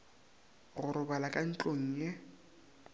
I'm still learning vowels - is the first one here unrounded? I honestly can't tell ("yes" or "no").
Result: no